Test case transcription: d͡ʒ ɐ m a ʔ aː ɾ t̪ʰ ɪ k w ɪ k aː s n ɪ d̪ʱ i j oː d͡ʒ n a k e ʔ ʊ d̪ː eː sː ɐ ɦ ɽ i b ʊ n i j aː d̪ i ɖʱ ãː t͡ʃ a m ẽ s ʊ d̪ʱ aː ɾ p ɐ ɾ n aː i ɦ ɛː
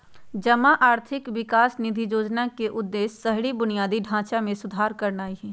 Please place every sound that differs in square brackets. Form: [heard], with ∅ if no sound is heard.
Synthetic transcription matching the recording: d͡ʒ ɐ m a ʔ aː ɾ t̪ʰ ɪ k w ɪ k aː s n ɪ d̪ʱ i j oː d͡ʒ n a k e ʔ ʊ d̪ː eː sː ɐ ɦ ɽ i b ʊ n i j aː d̪ i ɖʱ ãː t͡ʃ a m ẽ s ʊ d̪ʱ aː ɾ [k] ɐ ɾ n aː i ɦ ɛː